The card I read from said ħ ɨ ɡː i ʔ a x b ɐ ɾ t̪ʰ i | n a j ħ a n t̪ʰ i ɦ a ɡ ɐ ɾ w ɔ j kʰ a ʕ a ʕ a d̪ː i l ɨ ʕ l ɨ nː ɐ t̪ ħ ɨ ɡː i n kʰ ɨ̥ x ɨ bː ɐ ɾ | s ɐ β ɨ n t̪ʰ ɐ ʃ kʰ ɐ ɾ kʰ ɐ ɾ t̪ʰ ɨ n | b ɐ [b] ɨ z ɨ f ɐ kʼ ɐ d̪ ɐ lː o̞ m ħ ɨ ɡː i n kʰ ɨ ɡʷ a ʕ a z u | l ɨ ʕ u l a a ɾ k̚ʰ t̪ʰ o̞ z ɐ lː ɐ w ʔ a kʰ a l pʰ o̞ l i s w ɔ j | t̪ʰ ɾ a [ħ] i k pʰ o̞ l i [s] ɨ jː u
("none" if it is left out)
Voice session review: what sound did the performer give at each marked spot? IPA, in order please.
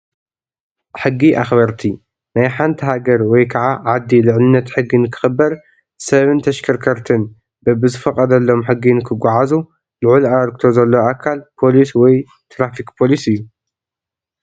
b, f, s

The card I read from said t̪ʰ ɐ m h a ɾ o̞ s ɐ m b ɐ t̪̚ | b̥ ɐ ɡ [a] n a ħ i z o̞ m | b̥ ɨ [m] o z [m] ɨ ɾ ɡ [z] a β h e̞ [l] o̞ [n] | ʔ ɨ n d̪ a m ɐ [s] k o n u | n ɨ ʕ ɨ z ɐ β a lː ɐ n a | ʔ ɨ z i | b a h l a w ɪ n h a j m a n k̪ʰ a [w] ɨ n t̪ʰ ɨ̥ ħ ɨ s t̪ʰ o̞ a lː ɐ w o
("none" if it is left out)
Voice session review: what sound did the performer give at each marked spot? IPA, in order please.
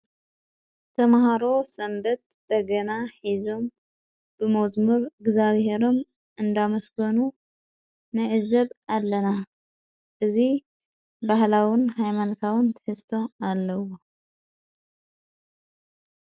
ɐ, m, m, z, ɾ, m, s, w

